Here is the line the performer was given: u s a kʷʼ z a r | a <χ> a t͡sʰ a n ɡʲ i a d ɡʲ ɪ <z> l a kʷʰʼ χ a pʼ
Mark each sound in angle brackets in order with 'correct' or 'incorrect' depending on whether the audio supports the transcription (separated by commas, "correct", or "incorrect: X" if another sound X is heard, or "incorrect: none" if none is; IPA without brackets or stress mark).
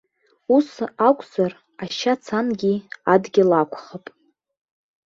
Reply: incorrect: ʃ, incorrect: none